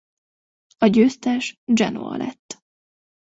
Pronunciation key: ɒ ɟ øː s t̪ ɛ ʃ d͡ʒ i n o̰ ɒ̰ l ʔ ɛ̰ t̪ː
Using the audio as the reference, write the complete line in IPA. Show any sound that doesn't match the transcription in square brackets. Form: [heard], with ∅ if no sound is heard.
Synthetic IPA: ɒ ɟ øː s t̪ ɛ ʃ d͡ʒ [ɛ] n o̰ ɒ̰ l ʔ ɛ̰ t̪ː